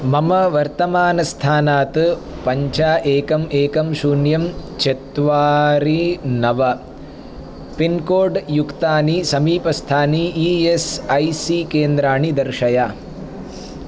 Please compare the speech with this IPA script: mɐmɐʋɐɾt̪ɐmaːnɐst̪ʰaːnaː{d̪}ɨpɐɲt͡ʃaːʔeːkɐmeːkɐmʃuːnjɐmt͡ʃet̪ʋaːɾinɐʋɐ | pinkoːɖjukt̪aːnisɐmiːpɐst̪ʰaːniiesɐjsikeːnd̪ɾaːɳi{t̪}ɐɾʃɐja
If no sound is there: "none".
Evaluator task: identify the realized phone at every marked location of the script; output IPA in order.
t̪, d̪

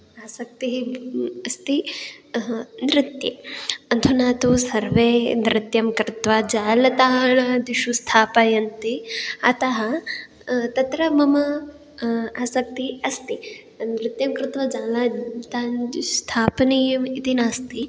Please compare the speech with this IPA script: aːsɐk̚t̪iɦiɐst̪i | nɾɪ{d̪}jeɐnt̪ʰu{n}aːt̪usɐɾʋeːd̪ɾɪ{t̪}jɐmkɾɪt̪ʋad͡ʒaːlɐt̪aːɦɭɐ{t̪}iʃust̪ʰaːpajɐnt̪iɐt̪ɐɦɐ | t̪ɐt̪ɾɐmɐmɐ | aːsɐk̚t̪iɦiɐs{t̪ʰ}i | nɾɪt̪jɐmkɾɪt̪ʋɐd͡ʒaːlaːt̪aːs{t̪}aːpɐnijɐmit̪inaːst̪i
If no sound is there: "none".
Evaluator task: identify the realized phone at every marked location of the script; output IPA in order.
t̪, n, t̪, d̪, t̪, t̪ʰ

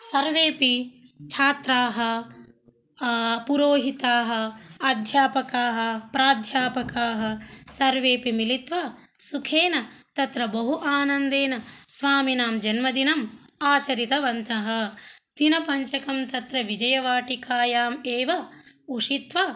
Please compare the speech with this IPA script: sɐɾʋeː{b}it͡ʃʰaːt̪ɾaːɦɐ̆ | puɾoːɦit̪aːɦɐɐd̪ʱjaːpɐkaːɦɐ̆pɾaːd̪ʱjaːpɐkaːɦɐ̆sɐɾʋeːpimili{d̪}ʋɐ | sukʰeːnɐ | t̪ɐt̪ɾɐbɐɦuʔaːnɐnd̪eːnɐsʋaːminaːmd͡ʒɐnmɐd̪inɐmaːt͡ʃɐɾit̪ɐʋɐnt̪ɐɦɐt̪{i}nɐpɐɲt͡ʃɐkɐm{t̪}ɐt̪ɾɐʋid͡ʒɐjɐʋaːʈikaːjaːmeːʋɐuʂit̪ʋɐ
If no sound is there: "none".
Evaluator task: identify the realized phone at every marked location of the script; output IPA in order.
p, t̪, i, t̪

